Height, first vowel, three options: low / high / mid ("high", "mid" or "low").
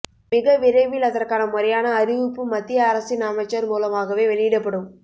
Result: high